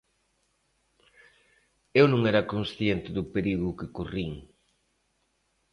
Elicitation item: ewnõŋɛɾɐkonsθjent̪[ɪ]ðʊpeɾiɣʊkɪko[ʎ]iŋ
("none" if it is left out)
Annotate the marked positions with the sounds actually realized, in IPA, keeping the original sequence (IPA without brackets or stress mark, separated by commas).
ɪ, r